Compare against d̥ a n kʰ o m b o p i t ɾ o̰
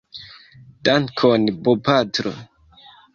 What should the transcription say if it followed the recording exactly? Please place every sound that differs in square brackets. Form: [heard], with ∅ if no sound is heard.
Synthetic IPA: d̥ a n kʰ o [n] b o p [a] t ɾ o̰